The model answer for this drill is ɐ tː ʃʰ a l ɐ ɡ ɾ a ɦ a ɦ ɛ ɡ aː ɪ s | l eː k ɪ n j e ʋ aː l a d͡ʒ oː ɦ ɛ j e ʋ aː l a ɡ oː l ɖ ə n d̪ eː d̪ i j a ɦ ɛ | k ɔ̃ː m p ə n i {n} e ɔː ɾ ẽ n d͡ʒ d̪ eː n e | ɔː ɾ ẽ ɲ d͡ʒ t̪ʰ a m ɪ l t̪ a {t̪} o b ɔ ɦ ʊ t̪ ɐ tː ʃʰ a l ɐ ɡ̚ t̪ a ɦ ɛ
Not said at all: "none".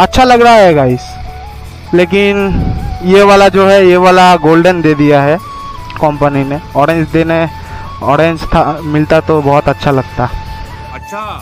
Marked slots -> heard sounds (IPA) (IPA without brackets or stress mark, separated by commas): n, t̪